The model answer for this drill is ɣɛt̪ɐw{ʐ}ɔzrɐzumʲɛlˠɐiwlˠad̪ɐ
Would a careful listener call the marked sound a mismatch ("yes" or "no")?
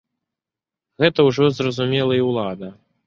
no